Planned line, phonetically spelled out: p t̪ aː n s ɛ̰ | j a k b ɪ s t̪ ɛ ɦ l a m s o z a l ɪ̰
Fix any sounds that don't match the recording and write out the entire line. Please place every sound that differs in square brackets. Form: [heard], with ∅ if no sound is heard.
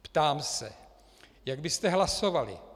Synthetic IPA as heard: p t̪ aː [m] s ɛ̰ | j a [ɡ] b ɪ s t̪ ɛ ɦ l a [∅] s o [v] a l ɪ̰